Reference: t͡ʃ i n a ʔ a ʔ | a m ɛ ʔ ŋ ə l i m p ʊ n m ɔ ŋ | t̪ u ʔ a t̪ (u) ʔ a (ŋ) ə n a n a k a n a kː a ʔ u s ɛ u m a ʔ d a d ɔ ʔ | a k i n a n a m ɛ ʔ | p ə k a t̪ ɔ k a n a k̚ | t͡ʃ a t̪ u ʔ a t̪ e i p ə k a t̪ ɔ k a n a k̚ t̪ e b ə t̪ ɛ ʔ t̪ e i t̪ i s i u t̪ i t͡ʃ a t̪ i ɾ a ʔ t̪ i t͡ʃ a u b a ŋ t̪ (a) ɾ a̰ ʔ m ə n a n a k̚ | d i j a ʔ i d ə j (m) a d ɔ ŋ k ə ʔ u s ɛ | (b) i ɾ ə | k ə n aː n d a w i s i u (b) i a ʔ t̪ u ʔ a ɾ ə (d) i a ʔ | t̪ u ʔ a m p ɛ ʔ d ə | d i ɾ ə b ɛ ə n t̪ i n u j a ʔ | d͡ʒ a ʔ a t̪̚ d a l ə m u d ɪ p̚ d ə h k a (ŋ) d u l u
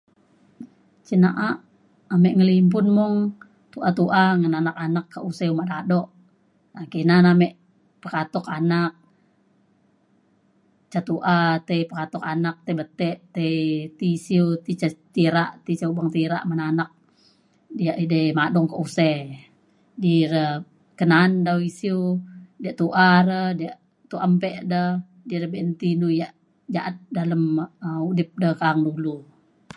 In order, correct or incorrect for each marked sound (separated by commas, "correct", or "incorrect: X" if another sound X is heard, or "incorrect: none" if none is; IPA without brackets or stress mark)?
correct, correct, incorrect: i, correct, incorrect: d, incorrect: d, correct, correct